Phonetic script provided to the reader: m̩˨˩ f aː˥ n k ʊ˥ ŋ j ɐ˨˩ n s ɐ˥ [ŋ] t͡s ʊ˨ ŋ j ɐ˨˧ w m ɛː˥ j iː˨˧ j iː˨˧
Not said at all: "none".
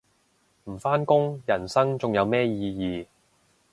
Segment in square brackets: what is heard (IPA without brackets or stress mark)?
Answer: ŋ